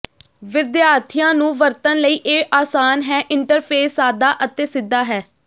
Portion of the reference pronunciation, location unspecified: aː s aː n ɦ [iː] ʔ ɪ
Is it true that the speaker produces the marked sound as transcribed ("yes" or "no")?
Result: no